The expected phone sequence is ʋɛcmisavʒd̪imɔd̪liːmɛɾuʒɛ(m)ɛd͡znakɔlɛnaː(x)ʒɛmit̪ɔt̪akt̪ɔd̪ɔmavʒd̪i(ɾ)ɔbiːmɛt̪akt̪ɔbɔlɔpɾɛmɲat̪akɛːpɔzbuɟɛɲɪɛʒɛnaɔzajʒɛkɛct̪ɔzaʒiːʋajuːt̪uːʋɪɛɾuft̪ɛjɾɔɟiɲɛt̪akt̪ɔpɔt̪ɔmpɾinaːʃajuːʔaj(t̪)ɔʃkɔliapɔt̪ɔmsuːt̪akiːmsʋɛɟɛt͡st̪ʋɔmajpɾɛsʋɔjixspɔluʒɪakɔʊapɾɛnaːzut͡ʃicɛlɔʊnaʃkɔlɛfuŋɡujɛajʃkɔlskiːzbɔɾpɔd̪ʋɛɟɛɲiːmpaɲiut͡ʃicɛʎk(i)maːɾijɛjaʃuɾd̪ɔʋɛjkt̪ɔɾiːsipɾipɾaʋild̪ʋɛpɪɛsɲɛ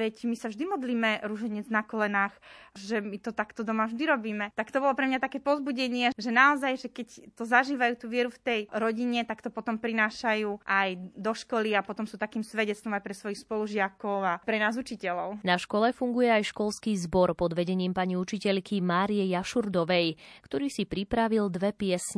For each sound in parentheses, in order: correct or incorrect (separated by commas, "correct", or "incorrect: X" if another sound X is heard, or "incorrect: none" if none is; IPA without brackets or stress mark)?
incorrect: ɲ, correct, correct, incorrect: d̪, correct